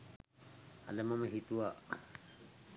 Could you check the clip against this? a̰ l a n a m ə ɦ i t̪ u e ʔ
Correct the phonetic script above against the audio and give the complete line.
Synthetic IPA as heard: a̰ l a m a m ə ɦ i t̪ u a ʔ